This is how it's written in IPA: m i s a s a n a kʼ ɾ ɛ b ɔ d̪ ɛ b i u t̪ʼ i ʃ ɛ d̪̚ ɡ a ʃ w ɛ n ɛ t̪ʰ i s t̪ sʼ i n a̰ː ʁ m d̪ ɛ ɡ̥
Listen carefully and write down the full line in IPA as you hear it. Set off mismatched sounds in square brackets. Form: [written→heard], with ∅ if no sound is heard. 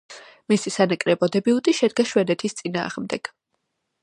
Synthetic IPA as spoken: m i s [a→i] s a n a kʼ ɾ ɛ b ɔ d̪ ɛ b i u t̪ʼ i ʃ ɛ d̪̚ ɡ a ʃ w ɛ n ɛ t̪ʰ i s t̪ sʼ i n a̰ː ʁ m d̪ ɛ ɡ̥